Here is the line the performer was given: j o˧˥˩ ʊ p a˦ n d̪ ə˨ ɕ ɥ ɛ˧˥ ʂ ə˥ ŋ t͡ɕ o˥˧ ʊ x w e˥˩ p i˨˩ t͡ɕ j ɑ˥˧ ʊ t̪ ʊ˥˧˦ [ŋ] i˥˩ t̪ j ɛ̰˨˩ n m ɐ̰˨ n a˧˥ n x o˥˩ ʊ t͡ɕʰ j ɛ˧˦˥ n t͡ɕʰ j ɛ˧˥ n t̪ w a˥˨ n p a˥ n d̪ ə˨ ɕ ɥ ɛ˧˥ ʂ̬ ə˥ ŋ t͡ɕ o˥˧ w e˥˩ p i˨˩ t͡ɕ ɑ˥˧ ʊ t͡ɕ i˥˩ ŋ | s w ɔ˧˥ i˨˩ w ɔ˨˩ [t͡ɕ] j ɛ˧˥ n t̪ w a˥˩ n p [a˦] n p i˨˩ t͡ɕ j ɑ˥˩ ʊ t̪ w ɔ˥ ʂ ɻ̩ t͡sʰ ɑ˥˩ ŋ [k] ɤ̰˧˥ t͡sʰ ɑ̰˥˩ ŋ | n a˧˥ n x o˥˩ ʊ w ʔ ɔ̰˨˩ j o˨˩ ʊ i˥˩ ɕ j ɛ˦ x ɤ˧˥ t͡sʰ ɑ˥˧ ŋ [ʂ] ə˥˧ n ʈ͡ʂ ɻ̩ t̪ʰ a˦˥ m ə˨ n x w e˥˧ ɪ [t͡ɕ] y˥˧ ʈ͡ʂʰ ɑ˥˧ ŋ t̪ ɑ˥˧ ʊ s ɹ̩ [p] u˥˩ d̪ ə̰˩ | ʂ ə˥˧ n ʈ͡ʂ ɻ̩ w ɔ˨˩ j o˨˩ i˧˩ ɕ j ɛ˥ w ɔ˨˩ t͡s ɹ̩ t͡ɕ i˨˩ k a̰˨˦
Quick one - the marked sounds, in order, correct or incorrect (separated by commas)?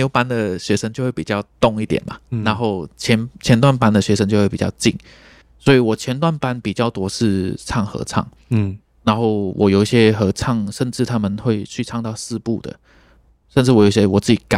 correct, incorrect, correct, incorrect, correct, incorrect, correct